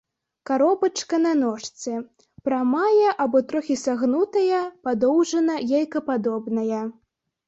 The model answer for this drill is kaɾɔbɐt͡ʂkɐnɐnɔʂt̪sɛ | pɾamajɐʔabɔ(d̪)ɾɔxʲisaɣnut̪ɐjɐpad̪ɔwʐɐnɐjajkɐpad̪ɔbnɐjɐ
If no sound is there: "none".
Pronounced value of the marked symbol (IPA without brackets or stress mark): t̪